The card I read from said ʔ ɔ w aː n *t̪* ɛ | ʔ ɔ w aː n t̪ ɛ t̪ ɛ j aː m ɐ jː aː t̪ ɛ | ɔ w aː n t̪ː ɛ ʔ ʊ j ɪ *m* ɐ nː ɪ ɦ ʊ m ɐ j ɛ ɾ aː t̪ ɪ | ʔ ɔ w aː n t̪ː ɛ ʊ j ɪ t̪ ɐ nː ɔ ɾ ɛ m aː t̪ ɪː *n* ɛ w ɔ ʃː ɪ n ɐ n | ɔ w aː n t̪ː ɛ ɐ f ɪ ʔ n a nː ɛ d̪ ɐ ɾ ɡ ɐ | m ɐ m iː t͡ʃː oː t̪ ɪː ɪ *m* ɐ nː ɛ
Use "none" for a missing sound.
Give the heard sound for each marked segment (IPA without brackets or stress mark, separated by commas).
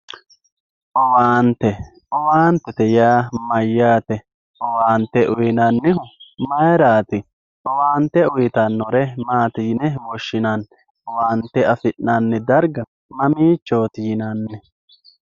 t̪, n, n, n